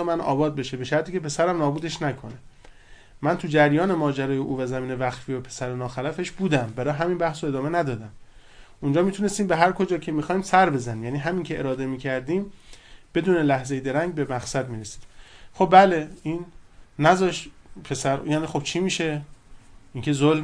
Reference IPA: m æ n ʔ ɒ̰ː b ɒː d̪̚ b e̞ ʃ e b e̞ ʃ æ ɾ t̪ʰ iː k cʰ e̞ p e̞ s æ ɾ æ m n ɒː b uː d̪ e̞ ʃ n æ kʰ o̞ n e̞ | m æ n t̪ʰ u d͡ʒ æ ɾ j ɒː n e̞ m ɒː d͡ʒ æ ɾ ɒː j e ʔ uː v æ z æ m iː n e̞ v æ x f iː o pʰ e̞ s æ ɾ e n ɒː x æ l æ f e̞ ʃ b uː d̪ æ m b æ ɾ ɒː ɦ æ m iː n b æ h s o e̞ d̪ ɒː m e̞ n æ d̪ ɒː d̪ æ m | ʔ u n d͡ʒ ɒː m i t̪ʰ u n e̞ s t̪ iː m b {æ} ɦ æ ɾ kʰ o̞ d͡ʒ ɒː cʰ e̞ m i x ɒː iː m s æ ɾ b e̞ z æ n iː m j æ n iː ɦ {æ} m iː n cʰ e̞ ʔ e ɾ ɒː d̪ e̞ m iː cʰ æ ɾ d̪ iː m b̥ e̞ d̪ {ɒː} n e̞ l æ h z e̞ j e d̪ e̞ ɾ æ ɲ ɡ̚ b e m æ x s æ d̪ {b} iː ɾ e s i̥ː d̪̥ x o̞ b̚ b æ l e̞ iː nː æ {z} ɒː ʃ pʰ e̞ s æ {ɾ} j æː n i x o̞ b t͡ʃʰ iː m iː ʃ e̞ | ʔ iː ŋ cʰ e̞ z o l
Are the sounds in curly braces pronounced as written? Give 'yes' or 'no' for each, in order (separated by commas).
no, yes, no, no, yes, yes